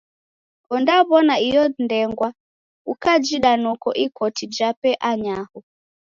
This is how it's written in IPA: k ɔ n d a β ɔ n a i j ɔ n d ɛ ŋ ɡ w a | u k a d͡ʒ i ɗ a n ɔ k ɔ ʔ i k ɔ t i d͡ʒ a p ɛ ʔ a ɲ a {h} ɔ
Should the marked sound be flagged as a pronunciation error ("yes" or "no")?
no